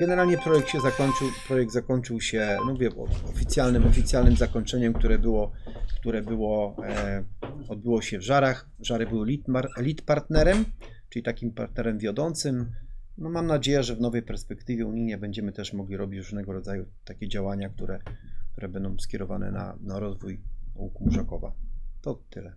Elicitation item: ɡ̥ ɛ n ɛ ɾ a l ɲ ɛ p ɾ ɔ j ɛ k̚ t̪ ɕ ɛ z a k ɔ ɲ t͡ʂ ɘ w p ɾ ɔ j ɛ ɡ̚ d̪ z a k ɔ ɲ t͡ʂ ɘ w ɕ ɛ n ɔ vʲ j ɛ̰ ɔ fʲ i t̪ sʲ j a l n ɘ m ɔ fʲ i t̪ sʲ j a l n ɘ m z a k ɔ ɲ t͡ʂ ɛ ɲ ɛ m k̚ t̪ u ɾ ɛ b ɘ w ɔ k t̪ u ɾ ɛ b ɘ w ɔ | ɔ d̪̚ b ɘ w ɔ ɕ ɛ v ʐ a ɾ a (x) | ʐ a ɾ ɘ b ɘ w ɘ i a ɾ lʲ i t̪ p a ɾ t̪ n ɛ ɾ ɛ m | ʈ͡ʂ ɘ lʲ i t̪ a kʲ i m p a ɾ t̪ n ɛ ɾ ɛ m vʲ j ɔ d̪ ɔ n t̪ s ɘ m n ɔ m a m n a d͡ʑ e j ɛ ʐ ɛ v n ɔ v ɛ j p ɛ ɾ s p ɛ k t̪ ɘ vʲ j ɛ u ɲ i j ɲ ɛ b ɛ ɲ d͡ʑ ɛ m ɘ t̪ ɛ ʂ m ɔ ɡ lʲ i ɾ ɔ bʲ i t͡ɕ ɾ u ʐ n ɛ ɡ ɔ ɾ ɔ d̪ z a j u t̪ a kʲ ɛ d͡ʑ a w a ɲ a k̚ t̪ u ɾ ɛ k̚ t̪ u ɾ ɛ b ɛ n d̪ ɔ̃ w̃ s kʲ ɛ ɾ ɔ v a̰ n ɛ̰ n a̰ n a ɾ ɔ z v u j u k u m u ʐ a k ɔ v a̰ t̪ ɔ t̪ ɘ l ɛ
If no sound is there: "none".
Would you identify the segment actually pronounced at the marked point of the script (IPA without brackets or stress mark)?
x